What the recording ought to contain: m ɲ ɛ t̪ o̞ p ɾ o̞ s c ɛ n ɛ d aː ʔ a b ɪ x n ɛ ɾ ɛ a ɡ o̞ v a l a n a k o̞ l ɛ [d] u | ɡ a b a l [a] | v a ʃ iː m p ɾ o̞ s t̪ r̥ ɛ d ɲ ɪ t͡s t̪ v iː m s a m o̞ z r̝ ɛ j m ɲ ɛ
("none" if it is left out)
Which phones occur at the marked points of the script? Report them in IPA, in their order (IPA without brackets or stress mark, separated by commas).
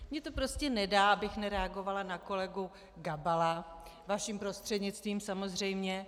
ɡ, a